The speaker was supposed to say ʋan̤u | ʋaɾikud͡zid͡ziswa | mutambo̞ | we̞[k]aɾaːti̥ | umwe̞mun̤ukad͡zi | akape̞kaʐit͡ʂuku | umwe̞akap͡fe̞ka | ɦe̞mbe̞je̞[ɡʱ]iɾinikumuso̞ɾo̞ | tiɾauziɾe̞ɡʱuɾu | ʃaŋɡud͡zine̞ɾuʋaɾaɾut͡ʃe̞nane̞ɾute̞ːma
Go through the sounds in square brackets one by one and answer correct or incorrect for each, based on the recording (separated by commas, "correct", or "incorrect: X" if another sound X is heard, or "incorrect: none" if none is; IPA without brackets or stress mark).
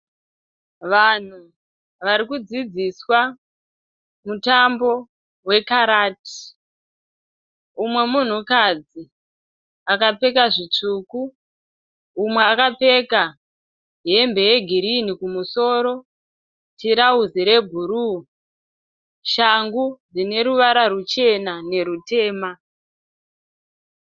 correct, correct